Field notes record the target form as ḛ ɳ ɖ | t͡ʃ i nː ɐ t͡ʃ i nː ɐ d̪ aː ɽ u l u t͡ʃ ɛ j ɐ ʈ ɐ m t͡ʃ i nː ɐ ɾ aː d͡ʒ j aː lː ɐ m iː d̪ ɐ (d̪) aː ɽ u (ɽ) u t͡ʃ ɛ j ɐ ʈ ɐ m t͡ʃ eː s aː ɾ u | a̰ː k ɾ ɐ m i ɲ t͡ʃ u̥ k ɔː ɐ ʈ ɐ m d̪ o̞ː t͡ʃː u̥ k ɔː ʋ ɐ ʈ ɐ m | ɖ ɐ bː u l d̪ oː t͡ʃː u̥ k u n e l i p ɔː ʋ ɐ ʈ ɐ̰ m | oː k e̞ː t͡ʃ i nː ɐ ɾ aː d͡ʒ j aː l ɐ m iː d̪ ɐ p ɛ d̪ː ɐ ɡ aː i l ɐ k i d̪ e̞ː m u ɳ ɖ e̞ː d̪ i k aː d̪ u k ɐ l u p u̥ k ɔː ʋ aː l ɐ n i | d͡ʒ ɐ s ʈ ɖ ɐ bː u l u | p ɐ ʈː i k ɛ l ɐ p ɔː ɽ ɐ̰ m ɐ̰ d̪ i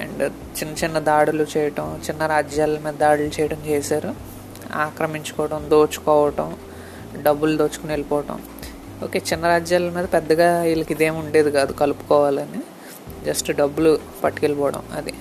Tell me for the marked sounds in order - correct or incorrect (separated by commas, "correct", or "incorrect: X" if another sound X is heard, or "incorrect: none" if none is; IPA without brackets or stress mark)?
correct, incorrect: l